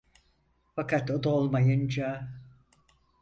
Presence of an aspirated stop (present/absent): absent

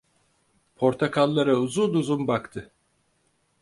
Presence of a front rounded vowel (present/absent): absent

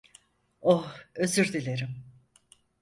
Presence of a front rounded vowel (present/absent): present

